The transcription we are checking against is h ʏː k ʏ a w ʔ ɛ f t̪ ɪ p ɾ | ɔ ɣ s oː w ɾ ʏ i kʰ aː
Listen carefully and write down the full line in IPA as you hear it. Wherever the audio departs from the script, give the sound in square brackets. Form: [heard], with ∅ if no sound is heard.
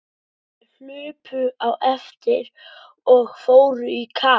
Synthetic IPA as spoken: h ʏː [p] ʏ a w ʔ ɛ f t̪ ɪ [∅] ɾ | ɔ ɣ [f] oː w ɾ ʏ i kʰ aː